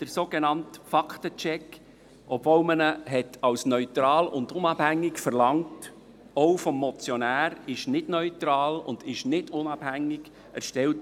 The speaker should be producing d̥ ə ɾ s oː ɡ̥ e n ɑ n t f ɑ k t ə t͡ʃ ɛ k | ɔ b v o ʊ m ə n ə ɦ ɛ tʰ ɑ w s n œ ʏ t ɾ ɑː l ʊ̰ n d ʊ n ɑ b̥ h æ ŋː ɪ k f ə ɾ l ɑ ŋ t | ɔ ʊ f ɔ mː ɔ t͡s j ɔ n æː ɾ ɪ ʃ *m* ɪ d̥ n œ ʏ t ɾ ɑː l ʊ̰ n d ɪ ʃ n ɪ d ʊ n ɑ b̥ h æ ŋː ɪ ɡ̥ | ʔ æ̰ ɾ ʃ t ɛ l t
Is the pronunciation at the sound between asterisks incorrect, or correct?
incorrect: n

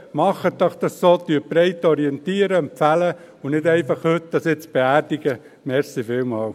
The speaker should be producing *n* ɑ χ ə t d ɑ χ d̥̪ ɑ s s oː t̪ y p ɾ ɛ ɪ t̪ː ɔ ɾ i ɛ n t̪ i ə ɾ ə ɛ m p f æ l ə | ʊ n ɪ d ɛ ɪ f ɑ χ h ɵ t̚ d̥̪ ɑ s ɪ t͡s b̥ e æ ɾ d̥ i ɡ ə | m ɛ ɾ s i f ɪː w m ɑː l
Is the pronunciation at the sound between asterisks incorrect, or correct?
incorrect: m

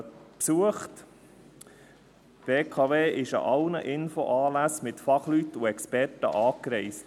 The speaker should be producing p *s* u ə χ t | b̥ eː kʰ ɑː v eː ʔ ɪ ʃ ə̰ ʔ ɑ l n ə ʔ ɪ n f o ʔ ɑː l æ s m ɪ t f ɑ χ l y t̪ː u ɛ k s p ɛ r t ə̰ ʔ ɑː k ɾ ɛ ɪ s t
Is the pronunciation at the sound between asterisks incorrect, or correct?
correct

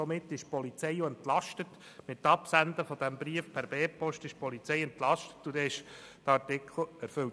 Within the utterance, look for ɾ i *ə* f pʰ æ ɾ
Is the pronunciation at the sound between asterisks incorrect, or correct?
correct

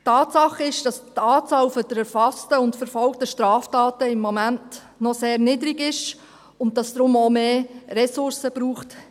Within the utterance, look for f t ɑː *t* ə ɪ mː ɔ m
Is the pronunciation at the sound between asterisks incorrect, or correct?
correct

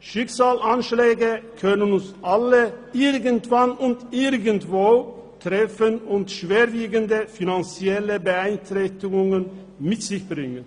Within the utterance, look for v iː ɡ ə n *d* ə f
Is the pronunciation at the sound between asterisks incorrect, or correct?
correct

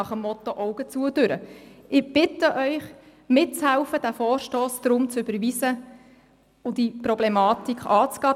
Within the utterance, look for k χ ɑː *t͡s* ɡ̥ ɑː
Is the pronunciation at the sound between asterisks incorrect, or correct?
correct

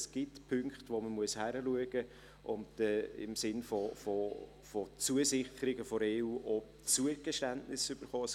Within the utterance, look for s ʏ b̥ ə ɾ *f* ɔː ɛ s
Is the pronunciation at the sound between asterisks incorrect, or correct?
incorrect: χ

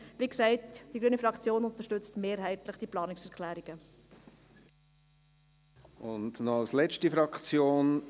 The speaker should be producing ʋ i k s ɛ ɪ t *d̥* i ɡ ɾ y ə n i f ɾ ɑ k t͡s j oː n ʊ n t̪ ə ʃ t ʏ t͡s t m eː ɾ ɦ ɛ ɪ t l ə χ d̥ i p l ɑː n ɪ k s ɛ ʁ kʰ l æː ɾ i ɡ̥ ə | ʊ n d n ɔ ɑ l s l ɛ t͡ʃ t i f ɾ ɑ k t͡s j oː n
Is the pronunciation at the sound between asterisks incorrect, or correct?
correct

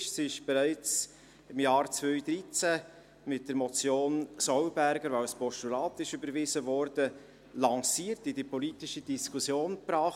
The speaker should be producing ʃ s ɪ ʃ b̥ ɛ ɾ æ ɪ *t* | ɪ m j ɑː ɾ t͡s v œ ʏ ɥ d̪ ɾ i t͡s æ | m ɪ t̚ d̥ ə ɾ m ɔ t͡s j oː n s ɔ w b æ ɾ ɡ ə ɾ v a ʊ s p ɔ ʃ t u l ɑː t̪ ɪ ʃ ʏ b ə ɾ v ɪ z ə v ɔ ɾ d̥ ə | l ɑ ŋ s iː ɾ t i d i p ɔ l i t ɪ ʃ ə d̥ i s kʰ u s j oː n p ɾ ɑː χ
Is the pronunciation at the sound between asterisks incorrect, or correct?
incorrect: t͡s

